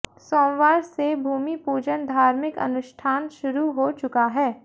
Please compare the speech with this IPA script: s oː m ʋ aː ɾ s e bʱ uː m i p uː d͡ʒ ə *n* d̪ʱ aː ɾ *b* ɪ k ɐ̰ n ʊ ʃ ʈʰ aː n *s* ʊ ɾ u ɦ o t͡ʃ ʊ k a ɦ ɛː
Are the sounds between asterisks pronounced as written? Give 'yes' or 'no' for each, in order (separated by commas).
yes, no, no